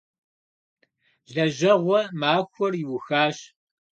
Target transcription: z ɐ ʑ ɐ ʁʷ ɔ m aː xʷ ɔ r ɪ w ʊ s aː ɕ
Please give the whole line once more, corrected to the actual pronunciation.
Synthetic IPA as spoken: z ɐ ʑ ɐ ʁʷ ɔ m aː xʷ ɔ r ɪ w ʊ x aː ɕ